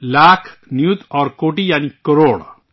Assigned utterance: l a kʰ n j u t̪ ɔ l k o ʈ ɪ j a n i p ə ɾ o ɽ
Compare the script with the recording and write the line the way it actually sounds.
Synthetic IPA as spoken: l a kʰ n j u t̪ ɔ ɾ k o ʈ i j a n i k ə ɾ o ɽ